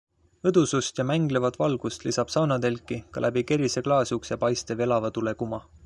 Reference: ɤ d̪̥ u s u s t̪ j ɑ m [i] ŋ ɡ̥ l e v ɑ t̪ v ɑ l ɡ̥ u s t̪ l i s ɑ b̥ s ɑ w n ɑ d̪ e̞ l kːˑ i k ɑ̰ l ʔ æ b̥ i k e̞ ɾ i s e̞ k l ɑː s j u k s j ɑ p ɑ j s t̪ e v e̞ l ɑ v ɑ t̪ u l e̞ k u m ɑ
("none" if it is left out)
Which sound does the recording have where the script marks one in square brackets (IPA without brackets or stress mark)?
æ